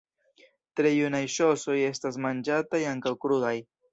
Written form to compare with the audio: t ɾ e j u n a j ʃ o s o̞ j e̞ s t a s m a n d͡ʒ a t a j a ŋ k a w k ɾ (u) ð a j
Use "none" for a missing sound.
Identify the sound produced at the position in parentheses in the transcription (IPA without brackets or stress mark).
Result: u